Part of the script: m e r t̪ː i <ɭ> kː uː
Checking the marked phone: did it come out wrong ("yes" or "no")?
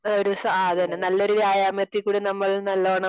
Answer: yes